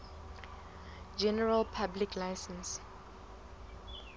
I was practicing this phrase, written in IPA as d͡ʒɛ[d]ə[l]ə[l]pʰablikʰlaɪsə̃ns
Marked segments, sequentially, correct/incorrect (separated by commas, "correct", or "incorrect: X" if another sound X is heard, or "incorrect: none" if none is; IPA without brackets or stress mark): incorrect: n, incorrect: ɹ, correct